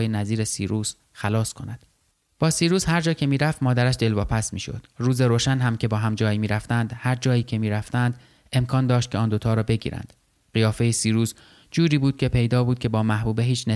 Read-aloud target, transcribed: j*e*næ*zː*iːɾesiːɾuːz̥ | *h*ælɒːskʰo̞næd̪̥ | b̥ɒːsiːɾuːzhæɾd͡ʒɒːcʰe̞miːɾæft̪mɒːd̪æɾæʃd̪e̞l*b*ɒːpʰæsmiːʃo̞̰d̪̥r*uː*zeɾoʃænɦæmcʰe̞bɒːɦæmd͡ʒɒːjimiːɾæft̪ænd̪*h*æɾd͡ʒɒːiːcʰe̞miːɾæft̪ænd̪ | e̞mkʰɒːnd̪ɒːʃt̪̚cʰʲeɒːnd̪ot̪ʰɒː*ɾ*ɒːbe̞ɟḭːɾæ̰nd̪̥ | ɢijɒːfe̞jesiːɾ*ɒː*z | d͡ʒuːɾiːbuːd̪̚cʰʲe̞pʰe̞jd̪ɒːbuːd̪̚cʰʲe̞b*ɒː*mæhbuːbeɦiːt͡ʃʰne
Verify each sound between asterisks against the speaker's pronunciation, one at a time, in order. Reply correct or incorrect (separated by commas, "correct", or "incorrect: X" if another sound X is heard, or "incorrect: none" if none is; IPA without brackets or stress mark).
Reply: correct, incorrect: z, incorrect: x, incorrect: v, correct, correct, correct, incorrect: uː, correct